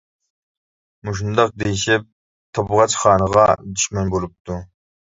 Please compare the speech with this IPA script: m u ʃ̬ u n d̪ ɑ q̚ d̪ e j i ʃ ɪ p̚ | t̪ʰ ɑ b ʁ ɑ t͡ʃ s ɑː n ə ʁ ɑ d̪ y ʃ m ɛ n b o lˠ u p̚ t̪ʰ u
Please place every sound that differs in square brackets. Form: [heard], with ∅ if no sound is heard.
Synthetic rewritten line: m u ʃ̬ u n d̪ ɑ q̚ d̪ e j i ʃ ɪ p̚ | t̪ʰ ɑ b ʁ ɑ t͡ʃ [χ] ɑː n ə ʁ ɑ d̪ y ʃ m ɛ n b o lˠ u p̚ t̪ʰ u